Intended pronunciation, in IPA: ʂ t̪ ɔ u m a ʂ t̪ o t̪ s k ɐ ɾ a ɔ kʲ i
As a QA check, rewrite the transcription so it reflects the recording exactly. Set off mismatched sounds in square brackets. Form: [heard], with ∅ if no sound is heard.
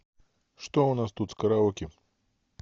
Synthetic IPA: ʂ t̪ ɔ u [n] a [s] t̪ [u] t̪ s k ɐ ɾ a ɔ kʲ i